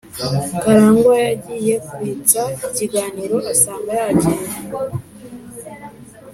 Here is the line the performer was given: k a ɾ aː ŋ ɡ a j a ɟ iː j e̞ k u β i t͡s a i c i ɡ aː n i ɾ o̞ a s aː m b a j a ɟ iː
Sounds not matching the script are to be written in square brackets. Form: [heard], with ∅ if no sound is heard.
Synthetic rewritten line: k a ɾ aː ŋ ɡ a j a ɟ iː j e̞ k u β i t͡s a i c i ɡ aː n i ɾ o̞ a s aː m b a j a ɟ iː